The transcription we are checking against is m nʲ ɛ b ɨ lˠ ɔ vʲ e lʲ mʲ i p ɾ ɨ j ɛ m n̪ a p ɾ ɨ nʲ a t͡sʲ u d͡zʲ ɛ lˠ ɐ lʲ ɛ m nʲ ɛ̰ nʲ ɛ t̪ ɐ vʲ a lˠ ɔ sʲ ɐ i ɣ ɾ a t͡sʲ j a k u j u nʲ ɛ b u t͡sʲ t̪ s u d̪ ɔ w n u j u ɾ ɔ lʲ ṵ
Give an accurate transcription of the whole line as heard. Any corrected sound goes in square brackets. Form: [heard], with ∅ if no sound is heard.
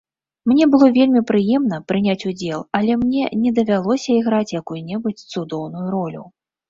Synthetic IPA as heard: m nʲ ɛ b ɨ lˠ ɔ vʲ e lʲ mʲ i p ɾ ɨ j ɛ m n̪ [ɐ] p ɾ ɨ nʲ a t͡sʲ u d͡zʲ ɛ lˠ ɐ lʲ ɛ m nʲ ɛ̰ nʲ ɛ [d̪] ɐ vʲ a lˠ ɔ sʲ ɐ i ɣ ɾ a t͡sʲ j a k u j u nʲ ɛ b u t͡sʲ t̪ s u d̪ ɔ w n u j u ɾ ɔ lʲ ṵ